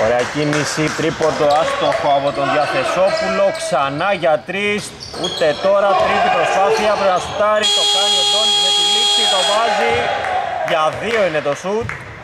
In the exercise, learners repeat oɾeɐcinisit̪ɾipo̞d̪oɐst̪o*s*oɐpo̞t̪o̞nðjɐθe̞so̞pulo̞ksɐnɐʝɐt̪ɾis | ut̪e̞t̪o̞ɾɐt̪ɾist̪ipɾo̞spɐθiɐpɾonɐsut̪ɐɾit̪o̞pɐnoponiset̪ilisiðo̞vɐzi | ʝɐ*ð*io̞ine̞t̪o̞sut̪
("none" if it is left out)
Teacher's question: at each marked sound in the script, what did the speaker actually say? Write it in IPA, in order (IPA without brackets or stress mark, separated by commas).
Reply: x, ð